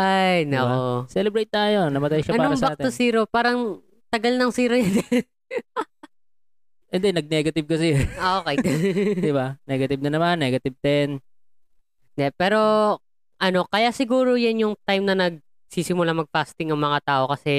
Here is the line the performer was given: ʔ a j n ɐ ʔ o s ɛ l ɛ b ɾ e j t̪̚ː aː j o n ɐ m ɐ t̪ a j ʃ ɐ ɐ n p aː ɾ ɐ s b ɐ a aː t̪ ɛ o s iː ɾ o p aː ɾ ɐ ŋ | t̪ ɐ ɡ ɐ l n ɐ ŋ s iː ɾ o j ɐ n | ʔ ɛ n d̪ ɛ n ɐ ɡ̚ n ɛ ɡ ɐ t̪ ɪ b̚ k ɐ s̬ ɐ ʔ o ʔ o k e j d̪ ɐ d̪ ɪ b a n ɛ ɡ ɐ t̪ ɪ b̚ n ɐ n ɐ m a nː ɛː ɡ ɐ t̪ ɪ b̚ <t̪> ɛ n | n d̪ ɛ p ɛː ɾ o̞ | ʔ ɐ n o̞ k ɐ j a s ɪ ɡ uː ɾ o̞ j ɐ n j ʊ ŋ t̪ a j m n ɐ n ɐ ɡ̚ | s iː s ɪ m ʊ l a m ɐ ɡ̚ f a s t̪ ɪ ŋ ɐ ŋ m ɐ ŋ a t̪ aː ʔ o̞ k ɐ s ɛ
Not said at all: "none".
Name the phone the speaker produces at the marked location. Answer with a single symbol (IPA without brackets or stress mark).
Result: t̪